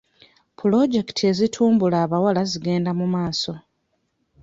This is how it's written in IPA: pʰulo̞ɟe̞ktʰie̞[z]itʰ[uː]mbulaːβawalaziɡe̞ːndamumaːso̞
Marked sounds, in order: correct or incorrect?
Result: correct, correct

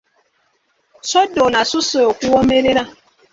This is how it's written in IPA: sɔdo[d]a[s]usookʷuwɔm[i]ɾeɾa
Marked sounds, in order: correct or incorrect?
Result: incorrect: n, correct, incorrect: e

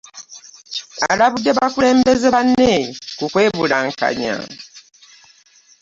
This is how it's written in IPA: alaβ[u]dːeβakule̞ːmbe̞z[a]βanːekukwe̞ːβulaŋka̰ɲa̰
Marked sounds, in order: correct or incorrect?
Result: correct, incorrect: e

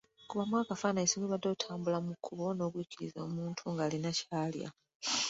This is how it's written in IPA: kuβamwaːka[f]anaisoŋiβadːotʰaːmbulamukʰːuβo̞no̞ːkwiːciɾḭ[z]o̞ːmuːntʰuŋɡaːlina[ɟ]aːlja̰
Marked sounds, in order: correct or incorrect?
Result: correct, correct, incorrect: c

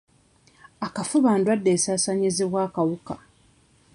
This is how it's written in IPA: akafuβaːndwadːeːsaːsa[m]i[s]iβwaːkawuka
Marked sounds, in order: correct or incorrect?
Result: incorrect: ɲ, incorrect: z

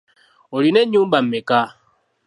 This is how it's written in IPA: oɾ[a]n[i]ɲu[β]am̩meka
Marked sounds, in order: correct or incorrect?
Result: incorrect: i, incorrect: e, incorrect: b

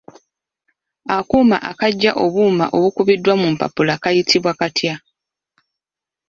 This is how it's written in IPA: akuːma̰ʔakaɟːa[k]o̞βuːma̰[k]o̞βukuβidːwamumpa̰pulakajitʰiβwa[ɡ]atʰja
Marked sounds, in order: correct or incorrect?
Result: incorrect: ʔ, incorrect: ʔ, incorrect: k

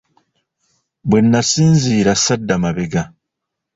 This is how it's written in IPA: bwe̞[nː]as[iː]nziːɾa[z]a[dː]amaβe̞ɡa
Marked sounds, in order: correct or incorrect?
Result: correct, correct, incorrect: s, correct

